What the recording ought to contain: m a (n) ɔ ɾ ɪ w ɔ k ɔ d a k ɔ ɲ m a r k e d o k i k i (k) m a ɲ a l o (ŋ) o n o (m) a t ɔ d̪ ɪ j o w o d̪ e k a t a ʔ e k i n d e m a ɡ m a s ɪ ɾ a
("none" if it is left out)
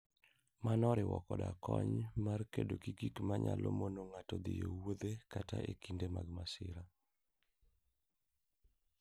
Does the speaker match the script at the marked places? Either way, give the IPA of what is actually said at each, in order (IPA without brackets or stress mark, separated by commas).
n, k, m, ŋ